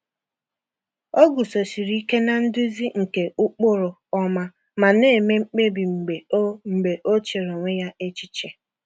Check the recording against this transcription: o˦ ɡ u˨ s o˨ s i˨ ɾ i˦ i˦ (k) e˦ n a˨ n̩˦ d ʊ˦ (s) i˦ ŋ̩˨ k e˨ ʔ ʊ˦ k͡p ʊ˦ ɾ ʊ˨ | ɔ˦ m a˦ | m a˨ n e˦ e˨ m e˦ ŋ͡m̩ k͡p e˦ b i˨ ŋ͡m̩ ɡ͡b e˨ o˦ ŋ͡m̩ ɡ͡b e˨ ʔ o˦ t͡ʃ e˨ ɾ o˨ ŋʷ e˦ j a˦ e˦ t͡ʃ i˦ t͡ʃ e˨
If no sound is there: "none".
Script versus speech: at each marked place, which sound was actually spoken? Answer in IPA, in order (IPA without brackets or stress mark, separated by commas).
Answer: k, z